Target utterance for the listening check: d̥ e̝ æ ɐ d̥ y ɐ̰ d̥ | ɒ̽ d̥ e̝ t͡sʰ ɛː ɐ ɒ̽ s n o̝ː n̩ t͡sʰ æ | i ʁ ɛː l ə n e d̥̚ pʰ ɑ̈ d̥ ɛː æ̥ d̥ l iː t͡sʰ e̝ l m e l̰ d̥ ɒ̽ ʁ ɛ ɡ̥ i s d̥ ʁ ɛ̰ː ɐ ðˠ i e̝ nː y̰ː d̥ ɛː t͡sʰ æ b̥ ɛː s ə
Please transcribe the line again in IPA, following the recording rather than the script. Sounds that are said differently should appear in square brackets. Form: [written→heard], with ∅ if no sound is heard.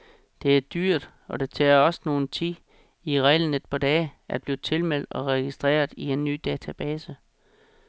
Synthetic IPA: d̥ e̝ æ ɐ d̥ y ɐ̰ d̥ | ɒ̽ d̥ e̝ t͡sʰ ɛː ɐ ɒ̽ s n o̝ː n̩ t͡sʰ [æ→i] | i ʁ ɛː l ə n e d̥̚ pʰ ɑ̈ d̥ ɛː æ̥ [d̥→b̥] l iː t͡sʰ e̝ l m e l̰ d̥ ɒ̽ ʁ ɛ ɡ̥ i s d̥ ʁ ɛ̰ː ɐ ðˠ i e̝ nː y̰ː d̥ ɛː t͡sʰ æ b̥ ɛː s ə